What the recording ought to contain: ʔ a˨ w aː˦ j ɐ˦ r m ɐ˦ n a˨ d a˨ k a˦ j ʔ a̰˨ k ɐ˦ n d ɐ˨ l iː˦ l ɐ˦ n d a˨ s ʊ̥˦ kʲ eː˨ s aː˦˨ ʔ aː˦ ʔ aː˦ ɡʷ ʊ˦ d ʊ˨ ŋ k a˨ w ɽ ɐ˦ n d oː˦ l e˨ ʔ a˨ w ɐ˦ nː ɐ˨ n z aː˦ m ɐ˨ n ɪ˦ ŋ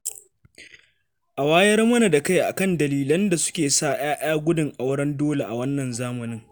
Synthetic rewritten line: ʔ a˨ w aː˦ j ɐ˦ r m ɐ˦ n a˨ d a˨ k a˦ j ʔ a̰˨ k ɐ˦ n d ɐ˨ l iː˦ l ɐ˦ n d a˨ s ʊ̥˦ kʲ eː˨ s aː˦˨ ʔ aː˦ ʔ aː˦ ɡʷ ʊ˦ d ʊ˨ ŋ ʔ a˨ w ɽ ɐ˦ n d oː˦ l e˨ ʔ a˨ w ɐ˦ nː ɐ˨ n z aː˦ m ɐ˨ n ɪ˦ ŋ

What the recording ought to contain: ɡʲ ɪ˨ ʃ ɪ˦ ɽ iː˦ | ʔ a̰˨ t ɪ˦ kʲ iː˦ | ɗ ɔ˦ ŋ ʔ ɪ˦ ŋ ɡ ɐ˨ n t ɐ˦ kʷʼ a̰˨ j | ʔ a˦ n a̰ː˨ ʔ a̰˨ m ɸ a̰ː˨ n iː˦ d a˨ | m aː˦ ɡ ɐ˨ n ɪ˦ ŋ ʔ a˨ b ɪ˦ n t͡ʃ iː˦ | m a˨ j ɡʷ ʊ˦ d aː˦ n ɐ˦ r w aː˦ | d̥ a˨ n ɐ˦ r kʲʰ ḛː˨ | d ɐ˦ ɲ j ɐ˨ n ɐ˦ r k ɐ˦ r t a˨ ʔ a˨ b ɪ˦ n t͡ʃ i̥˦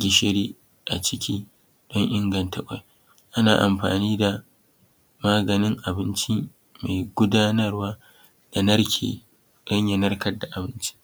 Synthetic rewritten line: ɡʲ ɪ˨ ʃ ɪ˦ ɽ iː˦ | ʔ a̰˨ t͡ʃ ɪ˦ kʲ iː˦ | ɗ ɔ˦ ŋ ʔ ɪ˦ ŋ ɡ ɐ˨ n t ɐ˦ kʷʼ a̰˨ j | ʔ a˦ n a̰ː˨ ʔ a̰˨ m ɸ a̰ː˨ n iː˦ d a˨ | m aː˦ ɡ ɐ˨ n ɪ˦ ŋ ʔ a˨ b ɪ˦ n t͡ʃ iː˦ | m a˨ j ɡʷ ʊ˦ d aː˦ n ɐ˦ r w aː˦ | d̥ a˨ n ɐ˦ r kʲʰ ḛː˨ | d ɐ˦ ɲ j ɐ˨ n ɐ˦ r k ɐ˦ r d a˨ ʔ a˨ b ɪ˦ n t͡ʃ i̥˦

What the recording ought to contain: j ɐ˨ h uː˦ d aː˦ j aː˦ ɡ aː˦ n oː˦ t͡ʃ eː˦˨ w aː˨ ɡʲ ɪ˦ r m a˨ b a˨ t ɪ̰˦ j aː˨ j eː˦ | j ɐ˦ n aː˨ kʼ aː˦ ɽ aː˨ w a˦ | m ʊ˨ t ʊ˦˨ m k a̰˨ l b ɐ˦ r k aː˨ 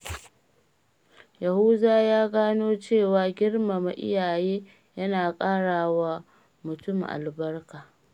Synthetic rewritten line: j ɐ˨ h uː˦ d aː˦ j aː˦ ɡ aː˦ n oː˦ t͡ʃ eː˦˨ w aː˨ ɡʲ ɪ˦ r m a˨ m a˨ ʔ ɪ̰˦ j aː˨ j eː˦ | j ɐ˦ n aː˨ kʼ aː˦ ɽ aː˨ w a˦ | m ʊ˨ t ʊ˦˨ m ʔ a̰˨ l b ɐ˦ r k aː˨

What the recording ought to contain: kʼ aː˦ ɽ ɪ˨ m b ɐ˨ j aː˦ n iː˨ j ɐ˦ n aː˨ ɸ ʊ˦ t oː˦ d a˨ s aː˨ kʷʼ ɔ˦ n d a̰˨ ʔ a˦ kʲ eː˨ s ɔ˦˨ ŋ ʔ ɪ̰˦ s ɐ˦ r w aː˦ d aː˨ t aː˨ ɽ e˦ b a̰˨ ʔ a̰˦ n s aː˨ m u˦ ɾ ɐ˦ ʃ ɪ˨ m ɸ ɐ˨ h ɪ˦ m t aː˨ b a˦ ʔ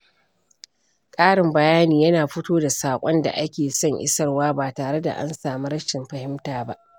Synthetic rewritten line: kʼ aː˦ ɽ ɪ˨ m b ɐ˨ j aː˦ n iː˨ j ɐ˦ n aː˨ ɸ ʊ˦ t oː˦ d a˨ s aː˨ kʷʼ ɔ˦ n d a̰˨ ʔ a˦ kʲ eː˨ s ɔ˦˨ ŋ ʔ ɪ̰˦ s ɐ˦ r w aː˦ b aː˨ t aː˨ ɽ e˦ d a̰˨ ʔ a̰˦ n s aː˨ m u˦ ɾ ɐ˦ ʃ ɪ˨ m ɸ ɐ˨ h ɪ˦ m t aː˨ b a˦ ʔ

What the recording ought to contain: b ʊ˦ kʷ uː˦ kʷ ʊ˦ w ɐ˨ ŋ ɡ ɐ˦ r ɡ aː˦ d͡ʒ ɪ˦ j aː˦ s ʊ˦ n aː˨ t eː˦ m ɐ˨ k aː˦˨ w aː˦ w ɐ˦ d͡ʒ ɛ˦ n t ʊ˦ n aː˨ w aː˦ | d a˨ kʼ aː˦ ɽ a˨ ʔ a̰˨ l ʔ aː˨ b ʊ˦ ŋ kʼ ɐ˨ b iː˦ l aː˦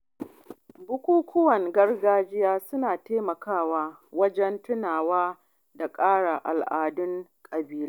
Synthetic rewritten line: b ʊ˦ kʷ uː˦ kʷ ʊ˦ w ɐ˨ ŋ ɡ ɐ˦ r ɡ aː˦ d͡ʒ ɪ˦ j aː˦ s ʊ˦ n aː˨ t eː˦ m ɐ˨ k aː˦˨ w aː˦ w ɐ˦ d͡ʒ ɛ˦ n t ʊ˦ n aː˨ w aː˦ | d a˨ kʼ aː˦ ɽ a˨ ʔ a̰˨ l ʔ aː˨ d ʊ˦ ŋ kʼ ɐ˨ b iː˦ l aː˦

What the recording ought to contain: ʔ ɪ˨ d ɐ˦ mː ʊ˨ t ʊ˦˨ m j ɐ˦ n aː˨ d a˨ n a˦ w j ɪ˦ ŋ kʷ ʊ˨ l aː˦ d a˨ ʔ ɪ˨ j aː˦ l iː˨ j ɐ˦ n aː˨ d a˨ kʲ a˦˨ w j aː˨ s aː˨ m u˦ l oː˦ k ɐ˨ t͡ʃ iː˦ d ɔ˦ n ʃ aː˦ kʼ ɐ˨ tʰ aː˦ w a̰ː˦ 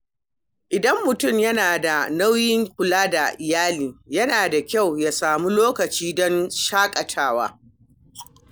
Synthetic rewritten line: ʔ ɪ˨ d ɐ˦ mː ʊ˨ t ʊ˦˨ m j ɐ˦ n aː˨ d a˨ n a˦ w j ɪ˦ ŋ kʷ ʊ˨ l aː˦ d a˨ ʔ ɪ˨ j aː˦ l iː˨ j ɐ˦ n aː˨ d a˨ kʲ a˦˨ w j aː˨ s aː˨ m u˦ l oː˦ k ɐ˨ t͡ʃ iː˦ d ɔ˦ n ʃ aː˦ kʼ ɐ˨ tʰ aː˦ w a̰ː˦

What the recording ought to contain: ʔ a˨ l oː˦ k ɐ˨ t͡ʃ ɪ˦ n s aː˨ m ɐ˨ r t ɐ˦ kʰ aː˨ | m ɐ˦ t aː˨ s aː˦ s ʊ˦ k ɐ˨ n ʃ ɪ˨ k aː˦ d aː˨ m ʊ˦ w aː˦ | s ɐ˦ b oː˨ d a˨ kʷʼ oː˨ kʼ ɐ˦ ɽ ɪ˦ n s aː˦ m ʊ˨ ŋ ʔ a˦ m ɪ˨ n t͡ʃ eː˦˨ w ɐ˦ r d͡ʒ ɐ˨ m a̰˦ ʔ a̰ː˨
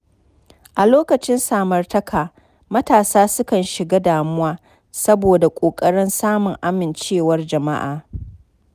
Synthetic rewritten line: ʔ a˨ l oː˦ k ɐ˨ t͡ʃ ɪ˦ n s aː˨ m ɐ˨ r t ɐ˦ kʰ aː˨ | m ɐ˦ t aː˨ s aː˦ s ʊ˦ k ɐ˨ n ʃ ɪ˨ ɡ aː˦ d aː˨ m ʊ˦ w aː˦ | s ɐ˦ b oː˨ d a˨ kʷʼ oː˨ kʼ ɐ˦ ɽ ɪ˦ n s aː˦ m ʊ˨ ŋ ʔ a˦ m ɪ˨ n t͡ʃ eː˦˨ w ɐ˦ r d͡ʒ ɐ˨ m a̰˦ ʔ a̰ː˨

